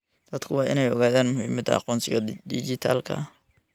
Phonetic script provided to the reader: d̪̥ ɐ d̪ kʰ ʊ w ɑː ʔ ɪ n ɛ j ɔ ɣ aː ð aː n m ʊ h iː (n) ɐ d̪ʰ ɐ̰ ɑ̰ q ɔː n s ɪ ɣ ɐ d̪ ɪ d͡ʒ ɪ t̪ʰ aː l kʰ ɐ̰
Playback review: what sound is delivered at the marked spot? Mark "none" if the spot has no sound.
m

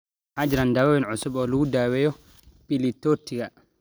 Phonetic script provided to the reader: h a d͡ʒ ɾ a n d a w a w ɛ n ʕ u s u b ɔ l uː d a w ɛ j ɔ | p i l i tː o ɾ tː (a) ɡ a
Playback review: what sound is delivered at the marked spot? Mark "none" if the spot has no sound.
i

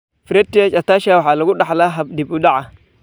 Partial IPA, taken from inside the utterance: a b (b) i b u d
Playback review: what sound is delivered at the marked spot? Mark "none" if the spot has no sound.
d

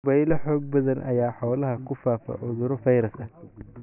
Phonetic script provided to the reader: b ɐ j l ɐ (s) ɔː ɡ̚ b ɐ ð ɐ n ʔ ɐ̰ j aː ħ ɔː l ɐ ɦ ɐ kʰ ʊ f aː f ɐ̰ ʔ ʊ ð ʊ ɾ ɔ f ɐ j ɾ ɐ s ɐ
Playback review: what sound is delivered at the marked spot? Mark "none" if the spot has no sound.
ħ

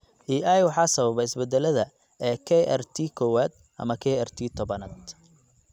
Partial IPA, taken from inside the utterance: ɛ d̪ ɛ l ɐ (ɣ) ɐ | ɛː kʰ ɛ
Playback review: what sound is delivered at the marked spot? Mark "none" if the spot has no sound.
ð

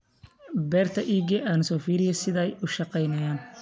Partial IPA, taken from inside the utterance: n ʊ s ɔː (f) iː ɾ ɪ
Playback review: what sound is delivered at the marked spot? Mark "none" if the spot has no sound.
f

